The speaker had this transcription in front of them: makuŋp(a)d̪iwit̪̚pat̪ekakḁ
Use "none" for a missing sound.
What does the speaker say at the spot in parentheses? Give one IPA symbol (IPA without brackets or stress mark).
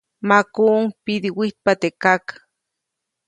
i